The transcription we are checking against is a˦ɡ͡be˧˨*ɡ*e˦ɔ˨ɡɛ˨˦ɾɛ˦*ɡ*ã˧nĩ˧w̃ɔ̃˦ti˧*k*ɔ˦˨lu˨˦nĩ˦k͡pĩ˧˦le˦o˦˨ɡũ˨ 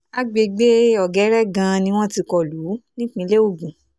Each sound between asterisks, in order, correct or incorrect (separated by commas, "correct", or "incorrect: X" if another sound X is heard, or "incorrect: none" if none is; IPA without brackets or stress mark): incorrect: ɡ͡b, correct, correct